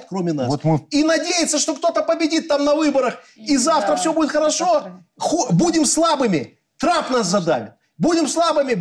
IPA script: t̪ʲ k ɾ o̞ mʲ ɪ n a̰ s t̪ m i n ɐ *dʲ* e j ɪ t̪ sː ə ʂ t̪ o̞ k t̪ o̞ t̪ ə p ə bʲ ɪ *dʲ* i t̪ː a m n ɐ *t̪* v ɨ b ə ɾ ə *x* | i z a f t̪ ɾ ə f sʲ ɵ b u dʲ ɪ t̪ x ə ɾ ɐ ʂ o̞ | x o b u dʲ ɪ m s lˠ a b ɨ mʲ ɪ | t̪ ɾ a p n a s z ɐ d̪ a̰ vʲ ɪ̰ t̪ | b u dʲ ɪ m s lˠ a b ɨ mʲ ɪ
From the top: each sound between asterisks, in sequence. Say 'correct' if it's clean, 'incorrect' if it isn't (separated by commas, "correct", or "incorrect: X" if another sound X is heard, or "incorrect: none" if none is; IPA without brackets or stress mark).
correct, correct, incorrect: none, correct